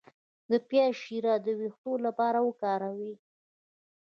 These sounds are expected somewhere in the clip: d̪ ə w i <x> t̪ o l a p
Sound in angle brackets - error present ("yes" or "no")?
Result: no